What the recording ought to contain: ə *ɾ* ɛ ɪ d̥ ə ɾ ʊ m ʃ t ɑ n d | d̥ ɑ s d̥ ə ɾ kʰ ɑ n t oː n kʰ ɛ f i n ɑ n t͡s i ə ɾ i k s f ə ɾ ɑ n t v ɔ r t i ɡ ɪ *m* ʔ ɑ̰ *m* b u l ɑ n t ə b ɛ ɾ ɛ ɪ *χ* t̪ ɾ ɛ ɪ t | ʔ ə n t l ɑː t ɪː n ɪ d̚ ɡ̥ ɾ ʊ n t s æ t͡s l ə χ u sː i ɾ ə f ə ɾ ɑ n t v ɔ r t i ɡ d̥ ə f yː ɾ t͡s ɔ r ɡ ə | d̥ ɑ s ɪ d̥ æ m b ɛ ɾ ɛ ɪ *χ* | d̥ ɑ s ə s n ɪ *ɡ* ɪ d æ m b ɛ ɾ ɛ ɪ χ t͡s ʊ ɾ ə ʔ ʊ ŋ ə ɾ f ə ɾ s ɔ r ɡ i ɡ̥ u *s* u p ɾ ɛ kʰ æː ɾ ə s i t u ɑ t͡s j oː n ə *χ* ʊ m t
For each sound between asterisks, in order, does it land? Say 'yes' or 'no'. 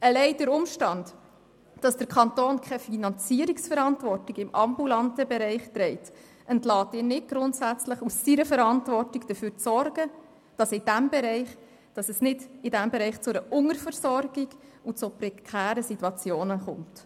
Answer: no, yes, yes, yes, yes, no, no, yes

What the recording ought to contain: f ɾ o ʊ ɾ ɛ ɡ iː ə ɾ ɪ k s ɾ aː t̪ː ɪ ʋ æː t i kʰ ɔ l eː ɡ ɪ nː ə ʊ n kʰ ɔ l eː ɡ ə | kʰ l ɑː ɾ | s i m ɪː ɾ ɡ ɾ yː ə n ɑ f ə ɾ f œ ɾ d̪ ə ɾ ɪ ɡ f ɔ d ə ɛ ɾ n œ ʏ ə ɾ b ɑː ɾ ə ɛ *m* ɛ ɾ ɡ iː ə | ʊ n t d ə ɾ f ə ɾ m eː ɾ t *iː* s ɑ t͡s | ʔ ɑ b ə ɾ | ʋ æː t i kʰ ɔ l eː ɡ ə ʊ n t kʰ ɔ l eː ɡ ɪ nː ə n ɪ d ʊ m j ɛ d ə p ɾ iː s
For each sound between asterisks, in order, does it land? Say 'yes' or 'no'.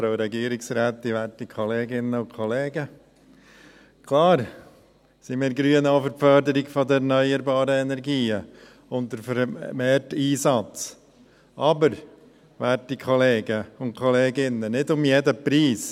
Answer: no, yes

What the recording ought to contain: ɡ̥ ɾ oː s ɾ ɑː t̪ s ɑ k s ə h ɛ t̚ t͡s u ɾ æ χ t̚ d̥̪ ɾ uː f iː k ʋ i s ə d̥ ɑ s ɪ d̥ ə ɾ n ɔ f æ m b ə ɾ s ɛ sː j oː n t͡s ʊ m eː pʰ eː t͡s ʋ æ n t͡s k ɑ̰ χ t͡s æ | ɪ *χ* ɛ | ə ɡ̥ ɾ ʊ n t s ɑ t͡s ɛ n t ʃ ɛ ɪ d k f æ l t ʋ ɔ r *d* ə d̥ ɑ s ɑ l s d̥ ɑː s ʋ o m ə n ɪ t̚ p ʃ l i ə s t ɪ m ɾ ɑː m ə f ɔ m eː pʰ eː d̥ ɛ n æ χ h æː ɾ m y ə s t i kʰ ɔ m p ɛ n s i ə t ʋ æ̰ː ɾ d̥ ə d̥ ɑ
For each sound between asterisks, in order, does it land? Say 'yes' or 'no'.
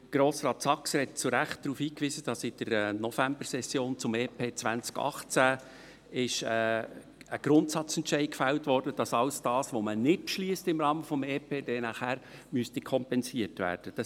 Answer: no, yes

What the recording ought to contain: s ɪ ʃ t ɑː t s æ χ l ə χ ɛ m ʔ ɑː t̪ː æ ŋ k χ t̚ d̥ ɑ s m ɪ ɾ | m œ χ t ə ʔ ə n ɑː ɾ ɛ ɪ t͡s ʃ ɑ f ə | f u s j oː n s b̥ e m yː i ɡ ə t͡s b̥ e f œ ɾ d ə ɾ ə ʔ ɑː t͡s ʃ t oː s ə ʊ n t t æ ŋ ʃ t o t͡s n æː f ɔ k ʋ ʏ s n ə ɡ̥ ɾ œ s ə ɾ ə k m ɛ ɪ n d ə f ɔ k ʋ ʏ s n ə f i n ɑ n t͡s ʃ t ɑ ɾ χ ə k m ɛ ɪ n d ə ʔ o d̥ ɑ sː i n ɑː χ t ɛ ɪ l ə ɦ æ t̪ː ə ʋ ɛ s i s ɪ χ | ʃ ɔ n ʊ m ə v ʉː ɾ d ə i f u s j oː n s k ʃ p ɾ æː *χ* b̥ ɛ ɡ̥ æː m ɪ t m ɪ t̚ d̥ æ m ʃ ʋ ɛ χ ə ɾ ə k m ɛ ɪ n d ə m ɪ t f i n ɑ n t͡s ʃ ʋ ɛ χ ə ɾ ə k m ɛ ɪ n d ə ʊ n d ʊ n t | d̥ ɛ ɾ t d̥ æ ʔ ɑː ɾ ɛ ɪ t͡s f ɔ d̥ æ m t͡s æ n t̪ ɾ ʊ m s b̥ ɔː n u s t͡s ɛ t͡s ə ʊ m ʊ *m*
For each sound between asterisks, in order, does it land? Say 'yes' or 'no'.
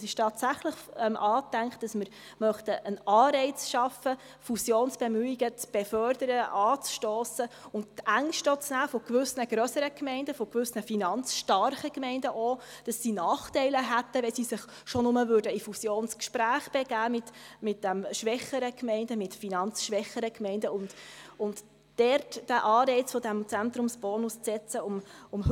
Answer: yes, yes

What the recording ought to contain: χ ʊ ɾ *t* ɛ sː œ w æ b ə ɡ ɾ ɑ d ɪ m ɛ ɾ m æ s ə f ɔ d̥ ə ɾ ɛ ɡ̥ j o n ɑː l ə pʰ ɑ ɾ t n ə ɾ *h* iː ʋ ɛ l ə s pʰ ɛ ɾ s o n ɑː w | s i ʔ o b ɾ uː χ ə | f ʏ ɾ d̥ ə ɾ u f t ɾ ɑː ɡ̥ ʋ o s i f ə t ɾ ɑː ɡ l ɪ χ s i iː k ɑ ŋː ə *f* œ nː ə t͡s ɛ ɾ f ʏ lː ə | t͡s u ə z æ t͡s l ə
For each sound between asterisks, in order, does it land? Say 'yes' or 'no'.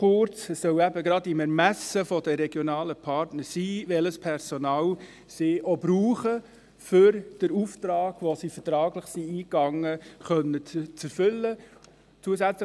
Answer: no, no, no

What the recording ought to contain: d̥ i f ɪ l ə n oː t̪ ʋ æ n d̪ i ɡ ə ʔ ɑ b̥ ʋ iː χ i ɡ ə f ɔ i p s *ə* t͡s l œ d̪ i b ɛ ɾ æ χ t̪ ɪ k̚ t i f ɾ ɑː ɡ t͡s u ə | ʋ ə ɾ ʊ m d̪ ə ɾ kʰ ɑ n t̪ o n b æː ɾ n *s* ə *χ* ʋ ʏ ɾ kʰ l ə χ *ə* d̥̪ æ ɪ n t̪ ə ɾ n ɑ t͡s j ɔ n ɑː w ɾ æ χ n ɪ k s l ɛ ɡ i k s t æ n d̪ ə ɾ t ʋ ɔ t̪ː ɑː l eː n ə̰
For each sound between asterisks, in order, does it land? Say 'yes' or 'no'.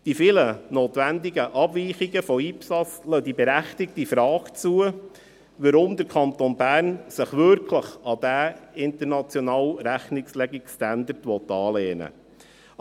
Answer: no, yes, yes, no

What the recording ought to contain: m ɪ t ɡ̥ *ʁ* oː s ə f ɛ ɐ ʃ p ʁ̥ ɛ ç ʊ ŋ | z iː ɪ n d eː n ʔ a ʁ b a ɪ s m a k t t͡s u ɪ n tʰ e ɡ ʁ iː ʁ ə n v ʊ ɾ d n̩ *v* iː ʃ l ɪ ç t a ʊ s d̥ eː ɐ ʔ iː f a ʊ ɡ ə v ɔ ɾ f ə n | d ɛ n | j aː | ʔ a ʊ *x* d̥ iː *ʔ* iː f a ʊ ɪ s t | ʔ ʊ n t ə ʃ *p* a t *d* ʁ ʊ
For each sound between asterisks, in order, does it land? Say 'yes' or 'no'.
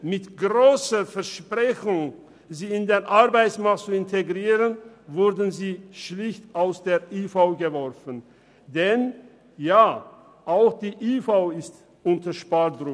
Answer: yes, no, yes, yes, yes, yes

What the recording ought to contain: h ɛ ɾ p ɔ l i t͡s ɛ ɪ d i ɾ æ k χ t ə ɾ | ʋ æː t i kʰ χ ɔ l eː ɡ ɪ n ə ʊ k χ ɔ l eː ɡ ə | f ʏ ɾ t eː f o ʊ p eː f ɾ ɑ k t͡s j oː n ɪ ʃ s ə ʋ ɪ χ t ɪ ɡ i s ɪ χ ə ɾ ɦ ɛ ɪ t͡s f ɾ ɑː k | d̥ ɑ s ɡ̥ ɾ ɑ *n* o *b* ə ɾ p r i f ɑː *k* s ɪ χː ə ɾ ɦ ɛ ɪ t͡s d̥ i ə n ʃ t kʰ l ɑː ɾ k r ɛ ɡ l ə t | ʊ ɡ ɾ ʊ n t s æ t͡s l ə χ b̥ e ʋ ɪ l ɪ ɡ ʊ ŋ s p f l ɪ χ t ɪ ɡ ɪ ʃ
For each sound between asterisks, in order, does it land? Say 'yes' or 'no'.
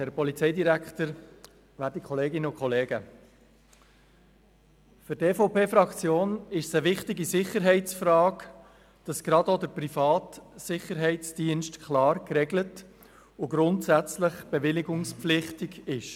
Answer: no, no, no

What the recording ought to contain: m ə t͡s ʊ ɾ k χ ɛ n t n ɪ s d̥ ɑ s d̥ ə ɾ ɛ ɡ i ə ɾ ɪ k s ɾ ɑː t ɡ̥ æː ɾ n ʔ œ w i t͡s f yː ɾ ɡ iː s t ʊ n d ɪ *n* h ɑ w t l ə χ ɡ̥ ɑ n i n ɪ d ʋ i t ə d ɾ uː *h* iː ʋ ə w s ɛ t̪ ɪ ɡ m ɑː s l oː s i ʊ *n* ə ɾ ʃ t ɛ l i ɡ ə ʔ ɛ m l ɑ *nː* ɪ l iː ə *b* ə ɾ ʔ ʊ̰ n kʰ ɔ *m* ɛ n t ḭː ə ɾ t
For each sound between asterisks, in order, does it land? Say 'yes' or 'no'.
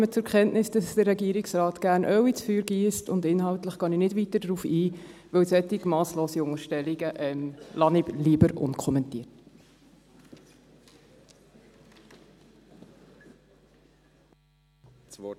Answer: yes, no, no, no, yes, yes

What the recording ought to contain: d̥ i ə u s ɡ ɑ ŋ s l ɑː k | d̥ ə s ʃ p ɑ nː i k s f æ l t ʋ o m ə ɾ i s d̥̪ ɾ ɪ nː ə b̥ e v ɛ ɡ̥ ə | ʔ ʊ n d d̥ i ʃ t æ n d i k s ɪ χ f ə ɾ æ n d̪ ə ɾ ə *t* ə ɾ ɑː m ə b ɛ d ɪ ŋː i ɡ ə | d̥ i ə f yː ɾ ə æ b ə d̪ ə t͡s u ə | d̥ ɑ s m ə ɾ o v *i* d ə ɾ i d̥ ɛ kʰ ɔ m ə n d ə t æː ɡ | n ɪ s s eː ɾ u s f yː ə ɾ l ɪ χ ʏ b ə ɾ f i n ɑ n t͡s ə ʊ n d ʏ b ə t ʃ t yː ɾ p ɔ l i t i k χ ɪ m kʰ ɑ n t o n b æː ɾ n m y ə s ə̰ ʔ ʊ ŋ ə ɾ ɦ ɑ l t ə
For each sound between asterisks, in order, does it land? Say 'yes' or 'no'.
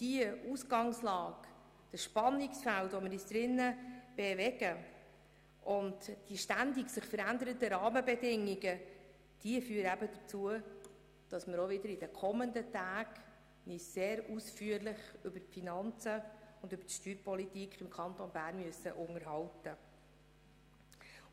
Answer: yes, no

